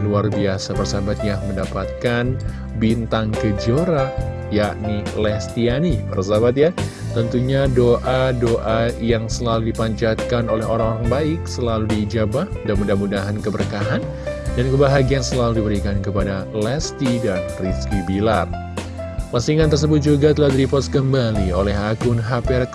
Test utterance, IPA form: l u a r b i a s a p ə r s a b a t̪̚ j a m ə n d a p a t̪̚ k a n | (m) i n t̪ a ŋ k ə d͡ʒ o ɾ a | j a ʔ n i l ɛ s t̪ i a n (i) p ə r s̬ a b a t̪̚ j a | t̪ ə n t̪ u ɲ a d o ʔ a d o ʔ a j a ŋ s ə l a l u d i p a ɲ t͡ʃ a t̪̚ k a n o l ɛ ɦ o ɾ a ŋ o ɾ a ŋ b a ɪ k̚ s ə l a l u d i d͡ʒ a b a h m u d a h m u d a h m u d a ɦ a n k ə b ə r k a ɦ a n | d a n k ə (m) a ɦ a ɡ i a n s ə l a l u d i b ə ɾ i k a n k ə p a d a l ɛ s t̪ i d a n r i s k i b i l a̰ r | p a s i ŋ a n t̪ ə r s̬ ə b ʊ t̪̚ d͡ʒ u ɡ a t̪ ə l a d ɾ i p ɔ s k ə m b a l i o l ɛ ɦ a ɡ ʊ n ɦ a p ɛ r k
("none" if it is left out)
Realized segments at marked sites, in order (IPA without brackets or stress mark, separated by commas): b, i, b